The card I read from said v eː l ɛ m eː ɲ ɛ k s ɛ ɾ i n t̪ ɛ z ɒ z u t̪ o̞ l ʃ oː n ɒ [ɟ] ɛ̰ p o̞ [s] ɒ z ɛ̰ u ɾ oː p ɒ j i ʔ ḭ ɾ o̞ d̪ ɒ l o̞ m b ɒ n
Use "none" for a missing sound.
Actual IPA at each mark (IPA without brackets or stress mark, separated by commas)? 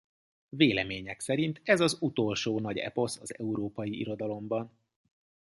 ɟ, s